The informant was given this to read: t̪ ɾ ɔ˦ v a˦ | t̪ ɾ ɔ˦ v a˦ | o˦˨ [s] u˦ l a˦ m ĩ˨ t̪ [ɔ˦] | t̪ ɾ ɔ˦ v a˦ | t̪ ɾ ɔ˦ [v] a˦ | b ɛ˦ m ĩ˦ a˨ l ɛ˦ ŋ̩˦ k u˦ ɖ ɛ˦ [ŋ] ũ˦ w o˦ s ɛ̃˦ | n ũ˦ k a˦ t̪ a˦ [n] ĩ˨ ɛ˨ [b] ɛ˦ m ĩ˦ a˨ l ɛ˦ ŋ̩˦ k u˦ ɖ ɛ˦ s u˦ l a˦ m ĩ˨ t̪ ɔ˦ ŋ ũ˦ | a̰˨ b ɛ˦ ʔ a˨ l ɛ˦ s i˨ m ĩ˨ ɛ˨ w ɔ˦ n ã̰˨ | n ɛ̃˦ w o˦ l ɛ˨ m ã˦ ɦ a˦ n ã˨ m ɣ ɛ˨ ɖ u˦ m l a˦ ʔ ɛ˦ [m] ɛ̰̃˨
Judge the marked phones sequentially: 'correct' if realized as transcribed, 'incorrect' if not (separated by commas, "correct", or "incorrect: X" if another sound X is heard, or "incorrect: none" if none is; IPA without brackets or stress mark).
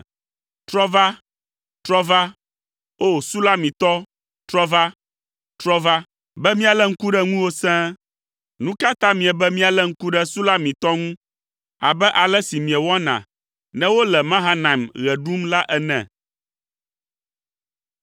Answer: correct, correct, correct, correct, incorrect: m, correct, incorrect: n